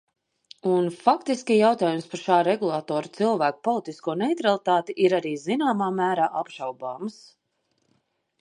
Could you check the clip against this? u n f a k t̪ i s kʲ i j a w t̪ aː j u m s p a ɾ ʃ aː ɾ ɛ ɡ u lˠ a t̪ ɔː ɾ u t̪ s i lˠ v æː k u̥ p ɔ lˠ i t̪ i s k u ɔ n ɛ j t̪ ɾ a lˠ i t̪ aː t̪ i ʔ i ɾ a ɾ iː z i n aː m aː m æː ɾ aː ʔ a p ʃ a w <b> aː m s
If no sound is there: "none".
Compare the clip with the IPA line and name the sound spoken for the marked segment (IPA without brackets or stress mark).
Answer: b